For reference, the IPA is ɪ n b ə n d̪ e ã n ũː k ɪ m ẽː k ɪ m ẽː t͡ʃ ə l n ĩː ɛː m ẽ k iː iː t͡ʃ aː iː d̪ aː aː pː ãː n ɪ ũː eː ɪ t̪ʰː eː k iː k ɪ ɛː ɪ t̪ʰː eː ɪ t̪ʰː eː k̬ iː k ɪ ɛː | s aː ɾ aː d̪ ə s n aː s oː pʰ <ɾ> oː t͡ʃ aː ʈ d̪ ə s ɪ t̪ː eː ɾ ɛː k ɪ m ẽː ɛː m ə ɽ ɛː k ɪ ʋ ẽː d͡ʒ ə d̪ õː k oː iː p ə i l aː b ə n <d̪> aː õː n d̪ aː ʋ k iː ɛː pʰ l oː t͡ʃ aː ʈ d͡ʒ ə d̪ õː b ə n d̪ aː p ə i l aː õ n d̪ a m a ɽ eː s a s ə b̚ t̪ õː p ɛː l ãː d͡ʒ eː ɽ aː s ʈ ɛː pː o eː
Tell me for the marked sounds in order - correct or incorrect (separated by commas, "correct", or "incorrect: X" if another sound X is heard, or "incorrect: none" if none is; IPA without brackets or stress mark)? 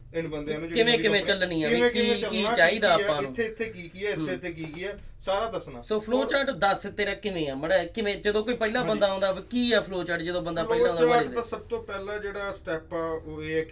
incorrect: l, correct